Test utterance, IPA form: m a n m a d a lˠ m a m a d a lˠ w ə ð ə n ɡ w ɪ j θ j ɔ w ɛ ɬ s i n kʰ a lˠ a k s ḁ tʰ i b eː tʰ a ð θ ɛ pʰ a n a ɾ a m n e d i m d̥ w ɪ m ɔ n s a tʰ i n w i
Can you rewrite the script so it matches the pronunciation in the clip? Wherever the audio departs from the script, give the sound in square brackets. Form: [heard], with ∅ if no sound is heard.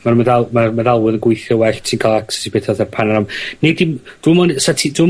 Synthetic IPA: m a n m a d a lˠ m a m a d a lˠ w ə ð ə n ɡ w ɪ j θ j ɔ w ɛ ɬ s i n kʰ a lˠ a k s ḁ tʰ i b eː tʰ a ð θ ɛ pʰ a n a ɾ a m n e d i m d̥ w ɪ m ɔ n s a tʰ i [d] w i